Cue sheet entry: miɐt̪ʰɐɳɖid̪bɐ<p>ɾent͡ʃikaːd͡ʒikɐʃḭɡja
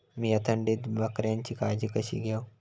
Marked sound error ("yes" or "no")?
yes